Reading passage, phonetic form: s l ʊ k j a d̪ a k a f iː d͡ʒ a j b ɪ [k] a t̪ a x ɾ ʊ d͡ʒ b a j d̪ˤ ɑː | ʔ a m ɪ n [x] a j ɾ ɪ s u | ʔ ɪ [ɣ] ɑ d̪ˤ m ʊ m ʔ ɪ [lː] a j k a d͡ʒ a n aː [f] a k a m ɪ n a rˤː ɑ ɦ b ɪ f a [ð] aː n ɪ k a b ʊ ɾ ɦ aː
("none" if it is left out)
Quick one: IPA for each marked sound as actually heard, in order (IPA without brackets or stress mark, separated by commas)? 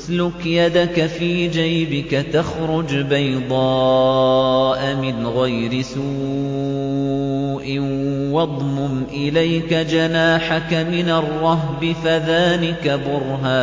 k, ɣ, w, l, ħ, ð